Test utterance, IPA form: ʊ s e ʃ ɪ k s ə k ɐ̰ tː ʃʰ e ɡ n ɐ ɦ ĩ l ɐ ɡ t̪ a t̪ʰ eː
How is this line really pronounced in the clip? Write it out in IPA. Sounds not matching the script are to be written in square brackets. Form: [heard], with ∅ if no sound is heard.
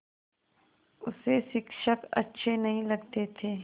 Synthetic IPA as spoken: ʊ s e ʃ ɪ k [ʃ] ə k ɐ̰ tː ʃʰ e [∅] n ɐ ɦ ĩ l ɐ ɡ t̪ [e] t̪ʰ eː